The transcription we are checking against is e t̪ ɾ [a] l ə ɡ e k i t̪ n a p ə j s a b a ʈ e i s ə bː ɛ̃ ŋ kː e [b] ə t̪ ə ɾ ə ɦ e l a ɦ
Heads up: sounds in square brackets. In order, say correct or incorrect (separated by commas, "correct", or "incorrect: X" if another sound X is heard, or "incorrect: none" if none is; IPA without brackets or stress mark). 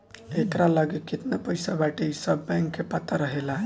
correct, incorrect: p